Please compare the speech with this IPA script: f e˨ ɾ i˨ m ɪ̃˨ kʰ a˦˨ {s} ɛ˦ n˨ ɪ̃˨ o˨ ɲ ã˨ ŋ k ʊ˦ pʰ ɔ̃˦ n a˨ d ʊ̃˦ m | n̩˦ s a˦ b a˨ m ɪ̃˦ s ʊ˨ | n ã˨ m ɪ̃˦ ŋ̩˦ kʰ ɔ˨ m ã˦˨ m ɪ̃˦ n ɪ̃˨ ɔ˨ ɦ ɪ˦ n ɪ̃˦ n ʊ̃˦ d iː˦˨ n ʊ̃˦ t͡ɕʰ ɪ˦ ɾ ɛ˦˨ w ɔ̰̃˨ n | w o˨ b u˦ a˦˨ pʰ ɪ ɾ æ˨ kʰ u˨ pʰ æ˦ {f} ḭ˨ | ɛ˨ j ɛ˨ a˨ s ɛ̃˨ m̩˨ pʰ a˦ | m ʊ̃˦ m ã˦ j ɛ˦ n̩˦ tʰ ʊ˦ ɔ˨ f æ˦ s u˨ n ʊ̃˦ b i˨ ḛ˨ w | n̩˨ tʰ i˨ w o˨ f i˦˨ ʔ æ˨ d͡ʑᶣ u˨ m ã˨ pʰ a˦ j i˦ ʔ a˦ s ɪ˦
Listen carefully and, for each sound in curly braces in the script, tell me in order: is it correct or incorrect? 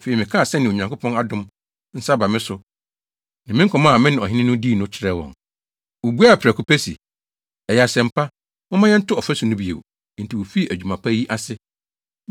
correct, incorrect: s

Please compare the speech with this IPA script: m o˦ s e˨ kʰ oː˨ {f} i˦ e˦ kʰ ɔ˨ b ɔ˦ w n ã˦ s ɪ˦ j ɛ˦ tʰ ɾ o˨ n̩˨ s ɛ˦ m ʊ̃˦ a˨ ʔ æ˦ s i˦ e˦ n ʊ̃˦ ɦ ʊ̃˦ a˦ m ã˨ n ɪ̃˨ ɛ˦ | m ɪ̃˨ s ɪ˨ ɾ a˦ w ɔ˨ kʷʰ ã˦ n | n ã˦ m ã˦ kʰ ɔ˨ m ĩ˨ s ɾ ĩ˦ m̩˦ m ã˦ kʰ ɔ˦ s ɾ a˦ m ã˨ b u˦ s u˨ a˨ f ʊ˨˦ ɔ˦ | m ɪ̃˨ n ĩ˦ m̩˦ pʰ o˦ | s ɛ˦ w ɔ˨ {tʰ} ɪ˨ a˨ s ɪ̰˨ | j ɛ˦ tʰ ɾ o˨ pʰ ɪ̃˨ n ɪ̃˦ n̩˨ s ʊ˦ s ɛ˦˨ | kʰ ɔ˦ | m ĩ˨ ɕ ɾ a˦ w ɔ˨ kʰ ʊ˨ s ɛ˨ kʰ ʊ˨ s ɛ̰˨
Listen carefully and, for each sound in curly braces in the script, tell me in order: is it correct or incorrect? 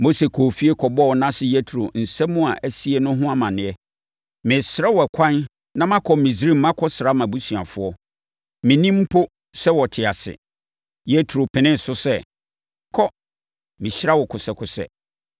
correct, correct

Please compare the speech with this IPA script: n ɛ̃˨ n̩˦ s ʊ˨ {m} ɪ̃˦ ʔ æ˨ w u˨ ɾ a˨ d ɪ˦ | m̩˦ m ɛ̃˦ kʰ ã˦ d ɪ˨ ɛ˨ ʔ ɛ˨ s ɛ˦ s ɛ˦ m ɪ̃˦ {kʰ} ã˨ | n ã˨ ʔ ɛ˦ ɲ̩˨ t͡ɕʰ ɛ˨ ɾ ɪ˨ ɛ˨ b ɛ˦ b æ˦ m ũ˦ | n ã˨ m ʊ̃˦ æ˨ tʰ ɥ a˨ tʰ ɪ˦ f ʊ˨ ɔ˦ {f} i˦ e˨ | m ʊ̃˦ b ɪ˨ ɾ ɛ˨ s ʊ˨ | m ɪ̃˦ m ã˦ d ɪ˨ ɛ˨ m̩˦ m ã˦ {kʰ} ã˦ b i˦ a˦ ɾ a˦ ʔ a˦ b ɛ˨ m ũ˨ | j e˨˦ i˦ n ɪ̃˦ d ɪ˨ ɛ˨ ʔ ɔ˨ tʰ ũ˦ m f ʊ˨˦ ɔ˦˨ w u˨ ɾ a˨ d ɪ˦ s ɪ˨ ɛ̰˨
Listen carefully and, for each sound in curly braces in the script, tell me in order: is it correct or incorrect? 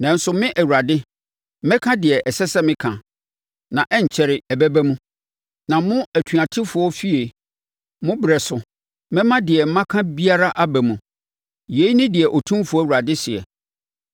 correct, correct, correct, correct

